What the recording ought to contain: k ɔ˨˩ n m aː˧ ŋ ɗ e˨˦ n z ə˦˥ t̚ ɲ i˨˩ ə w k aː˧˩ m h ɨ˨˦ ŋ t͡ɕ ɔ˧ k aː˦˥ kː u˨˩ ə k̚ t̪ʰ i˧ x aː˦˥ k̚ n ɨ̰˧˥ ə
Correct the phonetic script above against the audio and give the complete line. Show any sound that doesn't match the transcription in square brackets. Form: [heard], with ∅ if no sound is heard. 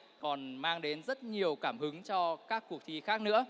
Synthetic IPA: k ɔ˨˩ n m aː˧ ŋ ɗ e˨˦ n z ə˦˥ t̚ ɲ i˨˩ ə w k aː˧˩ m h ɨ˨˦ ŋ t͡ɕ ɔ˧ k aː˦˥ kː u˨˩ ə k̚ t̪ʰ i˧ x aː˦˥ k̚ n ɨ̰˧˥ ə

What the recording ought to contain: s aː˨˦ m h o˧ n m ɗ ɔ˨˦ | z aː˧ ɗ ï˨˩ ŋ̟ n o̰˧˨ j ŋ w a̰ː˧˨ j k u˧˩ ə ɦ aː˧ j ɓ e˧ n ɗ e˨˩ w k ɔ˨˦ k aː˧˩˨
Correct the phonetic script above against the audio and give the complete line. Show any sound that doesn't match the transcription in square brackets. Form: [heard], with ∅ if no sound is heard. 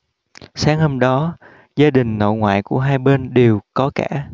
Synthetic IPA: s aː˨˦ [ŋ] h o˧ [∅] m ɗ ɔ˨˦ | z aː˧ ɗ ï˨˩ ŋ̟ n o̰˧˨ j ŋ w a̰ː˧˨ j k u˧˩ ə ɦ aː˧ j ɓ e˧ n ɗ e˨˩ w k ɔ˨˦ k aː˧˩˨

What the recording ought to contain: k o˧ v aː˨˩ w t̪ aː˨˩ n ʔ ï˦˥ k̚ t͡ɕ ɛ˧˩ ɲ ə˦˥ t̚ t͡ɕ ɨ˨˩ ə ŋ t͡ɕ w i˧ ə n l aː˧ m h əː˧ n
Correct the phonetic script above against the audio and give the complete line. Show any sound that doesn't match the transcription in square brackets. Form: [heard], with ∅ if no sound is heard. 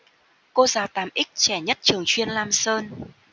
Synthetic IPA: k o˧ [z] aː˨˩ w t̪ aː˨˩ [m] ʔ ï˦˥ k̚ t͡ɕ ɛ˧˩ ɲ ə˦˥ t̚ t͡ɕ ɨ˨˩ ə ŋ t͡ɕ w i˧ ə n l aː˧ m [s] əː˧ n

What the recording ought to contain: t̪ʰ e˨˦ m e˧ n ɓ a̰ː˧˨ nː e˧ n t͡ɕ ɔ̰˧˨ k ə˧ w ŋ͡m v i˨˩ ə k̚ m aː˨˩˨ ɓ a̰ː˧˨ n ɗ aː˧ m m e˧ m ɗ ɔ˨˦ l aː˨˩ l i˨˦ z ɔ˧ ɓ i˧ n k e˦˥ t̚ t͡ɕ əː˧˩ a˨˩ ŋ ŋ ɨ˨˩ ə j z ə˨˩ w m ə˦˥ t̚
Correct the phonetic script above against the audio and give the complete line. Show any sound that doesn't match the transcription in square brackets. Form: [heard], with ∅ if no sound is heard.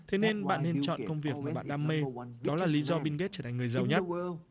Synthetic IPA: t̪ʰ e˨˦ [n] e˧ n ɓ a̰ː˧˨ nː e˧ n t͡ɕ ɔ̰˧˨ k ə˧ w ŋ͡m v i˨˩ ə k̚ m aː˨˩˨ ɓ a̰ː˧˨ n ɗ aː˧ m m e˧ [∅] ɗ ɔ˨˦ l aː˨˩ l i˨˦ z ɔ˧ ɓ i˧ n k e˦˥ t̚ t͡ɕ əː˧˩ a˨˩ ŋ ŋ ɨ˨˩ ə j z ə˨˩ w [ɲ] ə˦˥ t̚

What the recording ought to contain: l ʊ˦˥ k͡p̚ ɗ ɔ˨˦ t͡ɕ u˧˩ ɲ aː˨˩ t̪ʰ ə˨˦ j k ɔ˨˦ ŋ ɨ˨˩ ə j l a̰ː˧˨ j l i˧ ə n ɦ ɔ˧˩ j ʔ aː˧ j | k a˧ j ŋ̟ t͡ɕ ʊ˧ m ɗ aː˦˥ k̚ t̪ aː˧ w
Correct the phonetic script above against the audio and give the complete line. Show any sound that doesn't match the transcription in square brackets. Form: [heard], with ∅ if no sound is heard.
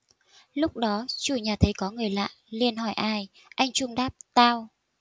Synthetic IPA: l ʊ˦˥ k͡p̚ ɗ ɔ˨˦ t͡ɕ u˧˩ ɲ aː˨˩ t̪ʰ ə˨˦ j k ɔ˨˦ ŋ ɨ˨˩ ə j l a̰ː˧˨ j l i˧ ə n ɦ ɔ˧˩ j ʔ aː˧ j | [ʔ] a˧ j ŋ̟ t͡ɕ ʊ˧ [ŋ͡m] ɗ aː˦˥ [p̚] t̪ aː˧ w

